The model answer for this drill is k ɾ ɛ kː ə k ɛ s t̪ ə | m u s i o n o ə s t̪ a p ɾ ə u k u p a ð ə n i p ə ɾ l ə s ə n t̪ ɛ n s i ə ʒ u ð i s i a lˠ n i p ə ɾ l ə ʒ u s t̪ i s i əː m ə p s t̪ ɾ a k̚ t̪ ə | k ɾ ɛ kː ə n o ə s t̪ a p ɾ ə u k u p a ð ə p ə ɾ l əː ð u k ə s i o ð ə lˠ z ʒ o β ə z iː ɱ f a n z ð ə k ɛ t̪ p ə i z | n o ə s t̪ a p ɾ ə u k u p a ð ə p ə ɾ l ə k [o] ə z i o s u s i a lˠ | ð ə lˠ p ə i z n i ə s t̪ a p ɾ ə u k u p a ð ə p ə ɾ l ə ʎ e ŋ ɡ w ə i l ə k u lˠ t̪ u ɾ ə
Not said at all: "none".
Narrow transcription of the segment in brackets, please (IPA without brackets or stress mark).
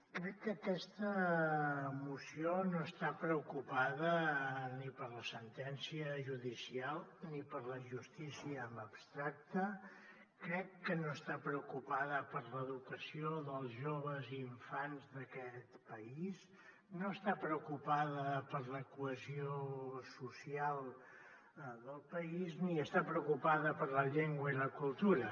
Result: u